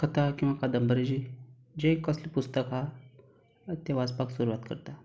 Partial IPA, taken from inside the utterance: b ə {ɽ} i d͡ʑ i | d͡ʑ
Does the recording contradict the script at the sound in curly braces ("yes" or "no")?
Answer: yes